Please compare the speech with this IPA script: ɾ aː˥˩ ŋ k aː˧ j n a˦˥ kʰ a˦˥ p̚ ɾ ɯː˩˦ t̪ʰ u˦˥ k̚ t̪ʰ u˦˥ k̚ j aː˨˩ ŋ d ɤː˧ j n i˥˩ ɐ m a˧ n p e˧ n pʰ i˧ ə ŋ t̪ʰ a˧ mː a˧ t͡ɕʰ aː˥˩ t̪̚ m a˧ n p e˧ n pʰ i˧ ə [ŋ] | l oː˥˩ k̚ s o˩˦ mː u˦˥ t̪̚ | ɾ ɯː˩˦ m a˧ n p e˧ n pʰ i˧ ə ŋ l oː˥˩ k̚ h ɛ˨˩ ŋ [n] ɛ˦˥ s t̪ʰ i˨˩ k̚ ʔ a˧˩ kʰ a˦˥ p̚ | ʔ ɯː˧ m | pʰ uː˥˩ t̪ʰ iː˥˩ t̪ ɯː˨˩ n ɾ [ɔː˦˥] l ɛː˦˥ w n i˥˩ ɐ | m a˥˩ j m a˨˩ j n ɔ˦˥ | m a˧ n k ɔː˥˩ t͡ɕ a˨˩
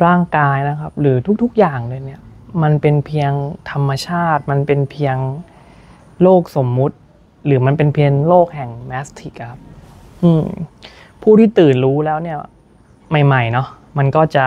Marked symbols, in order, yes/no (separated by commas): yes, no, no